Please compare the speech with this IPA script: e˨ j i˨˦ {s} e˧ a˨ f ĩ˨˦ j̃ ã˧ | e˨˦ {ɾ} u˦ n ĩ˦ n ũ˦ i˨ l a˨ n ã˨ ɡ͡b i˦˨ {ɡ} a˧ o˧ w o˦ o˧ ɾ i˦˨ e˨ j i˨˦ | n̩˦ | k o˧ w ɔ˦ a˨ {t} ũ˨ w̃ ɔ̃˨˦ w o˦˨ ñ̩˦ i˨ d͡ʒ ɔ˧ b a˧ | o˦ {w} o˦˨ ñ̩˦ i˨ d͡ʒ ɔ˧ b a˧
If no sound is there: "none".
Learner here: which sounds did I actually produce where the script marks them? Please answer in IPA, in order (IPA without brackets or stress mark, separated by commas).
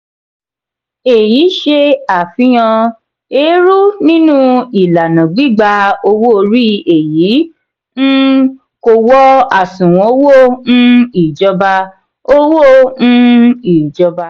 ʃ, ɾ, ɡ͡b, s, w